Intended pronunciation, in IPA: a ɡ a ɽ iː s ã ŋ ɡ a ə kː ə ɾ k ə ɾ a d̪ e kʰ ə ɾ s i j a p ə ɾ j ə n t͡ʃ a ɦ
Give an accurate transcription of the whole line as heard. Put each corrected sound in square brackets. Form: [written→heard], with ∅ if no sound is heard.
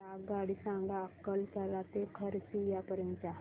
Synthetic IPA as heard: a ɡ a ɽ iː s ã ŋ ɡ a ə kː ə [ɾ→l] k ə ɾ a [d̪→t̪] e kʰ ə ɾ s i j a p ə ɾ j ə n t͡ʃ a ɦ